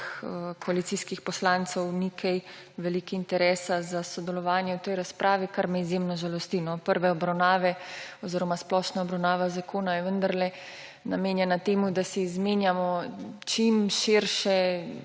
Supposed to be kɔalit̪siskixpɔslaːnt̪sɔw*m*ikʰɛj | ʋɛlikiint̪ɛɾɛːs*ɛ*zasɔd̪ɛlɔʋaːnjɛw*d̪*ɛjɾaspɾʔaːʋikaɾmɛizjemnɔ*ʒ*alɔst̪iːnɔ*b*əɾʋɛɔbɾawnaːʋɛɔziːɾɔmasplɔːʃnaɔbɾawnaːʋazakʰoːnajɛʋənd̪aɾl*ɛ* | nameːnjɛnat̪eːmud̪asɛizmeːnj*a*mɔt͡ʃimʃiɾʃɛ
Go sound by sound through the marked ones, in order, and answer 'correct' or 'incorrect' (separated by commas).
incorrect, incorrect, incorrect, correct, incorrect, correct, correct